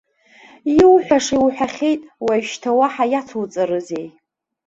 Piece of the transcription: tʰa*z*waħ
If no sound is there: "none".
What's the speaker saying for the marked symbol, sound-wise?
none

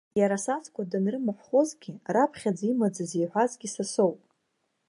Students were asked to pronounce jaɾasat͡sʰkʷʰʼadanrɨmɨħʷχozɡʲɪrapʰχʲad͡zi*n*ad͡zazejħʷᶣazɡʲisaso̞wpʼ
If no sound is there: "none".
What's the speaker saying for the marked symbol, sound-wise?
m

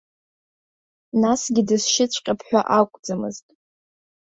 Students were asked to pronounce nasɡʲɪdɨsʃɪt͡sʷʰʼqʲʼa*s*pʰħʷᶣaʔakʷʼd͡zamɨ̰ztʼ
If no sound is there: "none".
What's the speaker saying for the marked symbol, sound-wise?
none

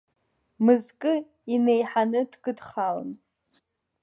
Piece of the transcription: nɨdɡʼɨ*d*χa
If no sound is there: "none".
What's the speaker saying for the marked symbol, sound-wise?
d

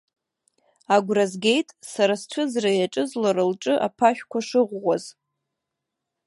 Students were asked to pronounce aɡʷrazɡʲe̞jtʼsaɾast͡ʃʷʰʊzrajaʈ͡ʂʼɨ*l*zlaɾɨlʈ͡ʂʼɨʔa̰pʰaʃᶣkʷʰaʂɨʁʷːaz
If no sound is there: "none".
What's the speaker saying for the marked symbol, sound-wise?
none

